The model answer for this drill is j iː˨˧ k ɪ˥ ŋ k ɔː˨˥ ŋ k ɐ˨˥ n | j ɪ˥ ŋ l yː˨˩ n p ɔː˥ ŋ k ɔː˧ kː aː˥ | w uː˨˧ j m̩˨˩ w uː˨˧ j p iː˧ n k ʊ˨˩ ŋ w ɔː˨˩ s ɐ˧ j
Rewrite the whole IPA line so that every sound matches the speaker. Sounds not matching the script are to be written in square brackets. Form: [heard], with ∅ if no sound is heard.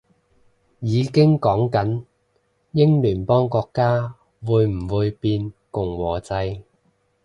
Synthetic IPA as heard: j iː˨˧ k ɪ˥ ŋ k ɔː˨˥ ŋ k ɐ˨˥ n | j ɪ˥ ŋ l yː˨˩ n p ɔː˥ ŋ k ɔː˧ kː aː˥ | w uː˨˧ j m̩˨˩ w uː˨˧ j p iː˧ n k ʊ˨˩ ŋ w ɔː˨˩ [t͡s] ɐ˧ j